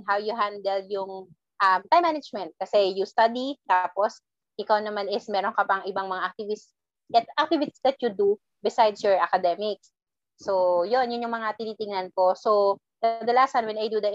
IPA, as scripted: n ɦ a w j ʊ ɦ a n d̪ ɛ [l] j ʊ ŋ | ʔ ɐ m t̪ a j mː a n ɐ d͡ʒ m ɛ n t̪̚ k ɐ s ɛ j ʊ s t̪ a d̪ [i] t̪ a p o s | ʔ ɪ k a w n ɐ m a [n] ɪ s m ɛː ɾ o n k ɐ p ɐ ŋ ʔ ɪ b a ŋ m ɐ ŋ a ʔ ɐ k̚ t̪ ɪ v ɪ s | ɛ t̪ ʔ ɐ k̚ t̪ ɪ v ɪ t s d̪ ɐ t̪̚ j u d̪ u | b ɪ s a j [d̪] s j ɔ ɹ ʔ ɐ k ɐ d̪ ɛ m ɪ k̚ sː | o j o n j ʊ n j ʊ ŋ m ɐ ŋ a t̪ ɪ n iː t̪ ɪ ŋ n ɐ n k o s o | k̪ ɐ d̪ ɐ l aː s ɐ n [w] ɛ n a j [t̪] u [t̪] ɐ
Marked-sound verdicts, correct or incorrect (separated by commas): correct, correct, correct, correct, correct, incorrect, incorrect